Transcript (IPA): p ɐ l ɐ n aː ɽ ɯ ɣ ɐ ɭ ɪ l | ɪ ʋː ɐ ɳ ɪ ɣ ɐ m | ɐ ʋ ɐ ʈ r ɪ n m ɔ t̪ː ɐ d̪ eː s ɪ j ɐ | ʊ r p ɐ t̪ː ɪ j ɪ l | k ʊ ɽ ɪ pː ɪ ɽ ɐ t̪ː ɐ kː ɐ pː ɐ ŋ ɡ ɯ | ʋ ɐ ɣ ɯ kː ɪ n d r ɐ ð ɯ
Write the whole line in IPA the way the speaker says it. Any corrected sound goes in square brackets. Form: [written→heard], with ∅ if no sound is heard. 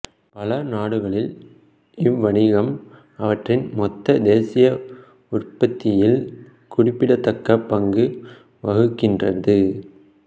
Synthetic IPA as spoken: p ɐ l ɐ n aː ɽ ɯ ɣ ɐ ɭ ɪ l | ɪ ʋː ɐ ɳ ɪ ɣ ɐ m | ɐ ʋ ɐ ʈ r ɪ n m ɔ t̪ː ɐ d̪ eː s ɪ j ɐ | ʊ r p ɐ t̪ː ɪ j ɪ l | k ʊ ɽ ɪ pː ɪ ɽ ɐ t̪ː ɐ kː ɐ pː ɐ ŋ ɡ ɯ | ʋ ɐ ɣ ɯ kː ɪ n d r ɐ ð ɯ